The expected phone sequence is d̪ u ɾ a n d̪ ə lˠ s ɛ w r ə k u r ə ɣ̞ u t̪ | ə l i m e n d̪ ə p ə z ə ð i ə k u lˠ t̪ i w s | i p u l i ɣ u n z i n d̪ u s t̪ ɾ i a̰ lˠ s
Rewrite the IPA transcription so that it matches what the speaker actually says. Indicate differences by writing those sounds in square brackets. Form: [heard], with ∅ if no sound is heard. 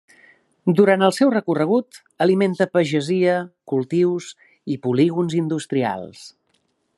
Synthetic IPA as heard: d̪ u ɾ a n [t̪] ə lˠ s ɛ w r ə k u r ə ɣ̞ u t̪ | ə l i m e n [t̪] ə p ə [ʒ] ə [z] i ə k u lˠ t̪ i w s | i p u l i ɣ u n z i n d̪ u s t̪ ɾ i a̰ lˠ s